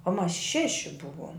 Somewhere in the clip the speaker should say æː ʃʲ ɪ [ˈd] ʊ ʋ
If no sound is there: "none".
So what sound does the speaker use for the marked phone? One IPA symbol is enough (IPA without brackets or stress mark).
b